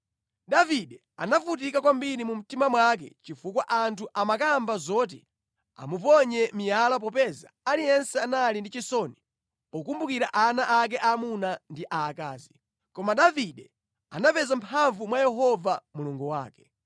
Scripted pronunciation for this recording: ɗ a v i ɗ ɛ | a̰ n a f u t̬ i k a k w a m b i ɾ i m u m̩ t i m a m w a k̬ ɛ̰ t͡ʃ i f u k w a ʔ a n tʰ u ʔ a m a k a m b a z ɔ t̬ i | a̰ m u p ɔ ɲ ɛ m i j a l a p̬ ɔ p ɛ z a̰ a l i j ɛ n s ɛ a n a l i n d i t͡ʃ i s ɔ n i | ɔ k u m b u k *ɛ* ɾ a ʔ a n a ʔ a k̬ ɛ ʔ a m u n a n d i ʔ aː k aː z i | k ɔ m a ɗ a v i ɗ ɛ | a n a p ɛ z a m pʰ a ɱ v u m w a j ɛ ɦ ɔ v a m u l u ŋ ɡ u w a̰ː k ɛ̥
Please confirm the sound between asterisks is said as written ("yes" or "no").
no